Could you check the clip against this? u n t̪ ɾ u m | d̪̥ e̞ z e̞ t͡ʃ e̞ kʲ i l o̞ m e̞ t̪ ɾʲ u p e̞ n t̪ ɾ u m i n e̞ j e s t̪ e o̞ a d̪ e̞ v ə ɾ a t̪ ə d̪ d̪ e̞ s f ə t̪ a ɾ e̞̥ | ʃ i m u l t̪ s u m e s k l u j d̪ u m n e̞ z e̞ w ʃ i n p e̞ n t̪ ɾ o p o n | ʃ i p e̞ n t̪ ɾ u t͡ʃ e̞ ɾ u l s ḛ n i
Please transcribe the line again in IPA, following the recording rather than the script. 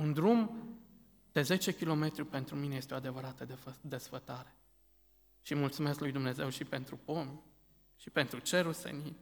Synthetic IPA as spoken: u n d̪ ɾ u m | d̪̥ e̞ z e̞ t͡ʃ e̞ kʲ i l o̞ m e̞ t̪ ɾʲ u p e̞ n t̪ ɾ u m i n e̞ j e s t̪ e o̞ a d̪ e̞ v ə ɾ a t̪ ə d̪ d̪ e̞ s f ə t̪ a ɾ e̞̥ | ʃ i m u l t̪ s u m e s k l u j d̪ u m n e̞ z e̞ w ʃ i p e̞ n t̪ ɾ u p o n | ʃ i p e̞ n t̪ ɾ u t͡ʃ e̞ ɾ u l s ḛ n i